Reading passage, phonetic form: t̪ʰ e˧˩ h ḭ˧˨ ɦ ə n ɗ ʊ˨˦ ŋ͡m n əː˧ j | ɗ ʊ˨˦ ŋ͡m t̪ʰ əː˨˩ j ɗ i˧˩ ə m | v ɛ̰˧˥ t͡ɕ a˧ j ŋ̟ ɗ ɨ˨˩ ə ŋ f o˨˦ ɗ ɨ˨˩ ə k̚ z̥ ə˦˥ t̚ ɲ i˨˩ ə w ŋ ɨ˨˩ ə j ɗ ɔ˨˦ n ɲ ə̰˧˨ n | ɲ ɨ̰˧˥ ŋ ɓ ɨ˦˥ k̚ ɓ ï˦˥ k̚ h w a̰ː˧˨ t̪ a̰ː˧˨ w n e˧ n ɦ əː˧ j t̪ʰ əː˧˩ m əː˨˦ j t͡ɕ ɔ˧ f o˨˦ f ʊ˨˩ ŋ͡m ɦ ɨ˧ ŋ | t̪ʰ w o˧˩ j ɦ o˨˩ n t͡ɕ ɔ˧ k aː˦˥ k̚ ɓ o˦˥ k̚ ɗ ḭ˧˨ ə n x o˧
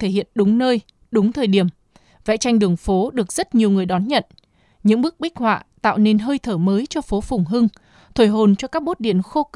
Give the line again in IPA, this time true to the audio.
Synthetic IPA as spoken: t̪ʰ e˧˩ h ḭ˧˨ ə n ɗ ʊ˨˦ ŋ͡m n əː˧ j | ɗ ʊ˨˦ ŋ͡m t̪ʰ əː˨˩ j ɗ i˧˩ ə m | v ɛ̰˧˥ t͡ɕ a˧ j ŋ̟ ɗ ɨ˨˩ ə ŋ f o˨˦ ɗ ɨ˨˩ ə k̚ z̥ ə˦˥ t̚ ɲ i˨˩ ə w ŋ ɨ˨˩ ə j ɗ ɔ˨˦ n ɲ ə̰˧˨ n | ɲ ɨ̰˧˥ ŋ ɓ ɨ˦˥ k̚ ɓ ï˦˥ k̚ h w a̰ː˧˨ t̪ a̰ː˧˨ w n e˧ n ɦ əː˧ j t̪ʰ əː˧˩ m əː˨˦ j t͡ɕ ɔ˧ f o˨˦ f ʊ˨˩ ŋ͡m ɦ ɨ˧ ŋ | t̪ʰ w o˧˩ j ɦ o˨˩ n t͡ɕ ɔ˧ k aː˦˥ k̚ ɓ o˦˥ t̚ ɗ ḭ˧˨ ə n x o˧